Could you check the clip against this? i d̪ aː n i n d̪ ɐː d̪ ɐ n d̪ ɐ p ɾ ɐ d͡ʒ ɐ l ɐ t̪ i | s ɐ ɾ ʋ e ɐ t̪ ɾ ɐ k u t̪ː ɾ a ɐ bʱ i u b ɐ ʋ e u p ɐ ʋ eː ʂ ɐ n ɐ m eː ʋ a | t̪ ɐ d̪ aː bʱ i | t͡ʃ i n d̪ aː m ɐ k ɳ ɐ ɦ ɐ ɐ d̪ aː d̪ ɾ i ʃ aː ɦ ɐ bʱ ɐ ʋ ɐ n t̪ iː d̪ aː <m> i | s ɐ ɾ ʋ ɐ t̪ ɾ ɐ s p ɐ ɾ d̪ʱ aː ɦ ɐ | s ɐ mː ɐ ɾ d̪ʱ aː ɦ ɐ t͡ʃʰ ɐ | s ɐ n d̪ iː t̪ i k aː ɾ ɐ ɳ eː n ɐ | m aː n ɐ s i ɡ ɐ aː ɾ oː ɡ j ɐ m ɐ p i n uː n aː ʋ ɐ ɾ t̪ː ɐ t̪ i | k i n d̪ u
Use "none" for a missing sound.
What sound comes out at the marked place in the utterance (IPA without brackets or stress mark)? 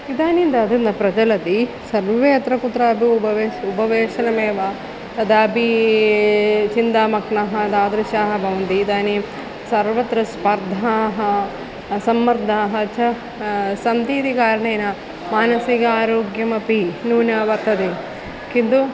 n